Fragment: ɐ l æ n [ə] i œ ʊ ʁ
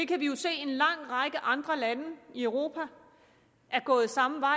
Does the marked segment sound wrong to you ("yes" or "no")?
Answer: no